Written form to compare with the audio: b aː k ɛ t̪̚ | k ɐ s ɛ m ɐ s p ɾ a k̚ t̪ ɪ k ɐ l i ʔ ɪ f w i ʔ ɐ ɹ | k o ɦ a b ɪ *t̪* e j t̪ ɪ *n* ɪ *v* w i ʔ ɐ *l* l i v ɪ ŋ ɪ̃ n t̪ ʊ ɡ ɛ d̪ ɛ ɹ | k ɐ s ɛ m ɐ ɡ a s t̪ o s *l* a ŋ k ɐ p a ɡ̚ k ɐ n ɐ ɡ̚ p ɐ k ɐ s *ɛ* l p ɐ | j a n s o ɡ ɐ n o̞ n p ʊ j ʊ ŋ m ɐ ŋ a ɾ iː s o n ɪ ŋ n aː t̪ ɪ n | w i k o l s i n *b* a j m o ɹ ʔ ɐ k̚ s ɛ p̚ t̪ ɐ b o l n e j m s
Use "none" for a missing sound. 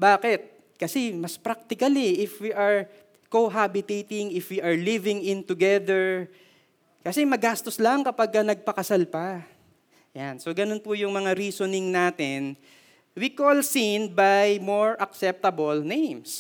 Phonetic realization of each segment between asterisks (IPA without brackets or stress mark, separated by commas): t̪, ŋ, f, ɹ, l, a, b